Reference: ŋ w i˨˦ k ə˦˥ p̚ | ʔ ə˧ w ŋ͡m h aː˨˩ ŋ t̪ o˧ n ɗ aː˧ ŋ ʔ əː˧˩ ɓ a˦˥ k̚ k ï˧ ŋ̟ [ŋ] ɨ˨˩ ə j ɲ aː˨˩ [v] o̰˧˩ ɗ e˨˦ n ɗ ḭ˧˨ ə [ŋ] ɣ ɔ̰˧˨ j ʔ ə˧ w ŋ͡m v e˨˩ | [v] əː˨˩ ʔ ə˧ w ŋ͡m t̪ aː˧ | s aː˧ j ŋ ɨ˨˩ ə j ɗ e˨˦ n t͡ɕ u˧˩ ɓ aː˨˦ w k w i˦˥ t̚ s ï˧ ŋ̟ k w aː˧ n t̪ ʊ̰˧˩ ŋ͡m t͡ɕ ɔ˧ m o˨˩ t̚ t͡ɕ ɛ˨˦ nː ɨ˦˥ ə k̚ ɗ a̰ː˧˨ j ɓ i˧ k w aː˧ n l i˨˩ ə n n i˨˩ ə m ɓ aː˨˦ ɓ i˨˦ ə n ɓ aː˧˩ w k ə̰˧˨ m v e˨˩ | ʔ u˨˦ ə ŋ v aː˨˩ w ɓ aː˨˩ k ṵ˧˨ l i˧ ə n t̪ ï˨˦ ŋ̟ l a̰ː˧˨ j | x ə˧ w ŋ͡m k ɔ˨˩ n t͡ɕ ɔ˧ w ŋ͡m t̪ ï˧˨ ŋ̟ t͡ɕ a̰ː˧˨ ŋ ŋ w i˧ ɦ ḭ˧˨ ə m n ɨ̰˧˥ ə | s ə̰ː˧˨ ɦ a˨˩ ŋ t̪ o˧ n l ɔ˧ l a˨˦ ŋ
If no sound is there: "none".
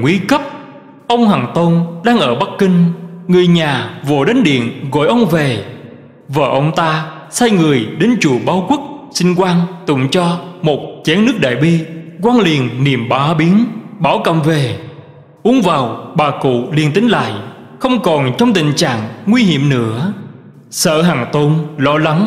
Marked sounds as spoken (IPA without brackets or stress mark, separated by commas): ŋ, v, n, v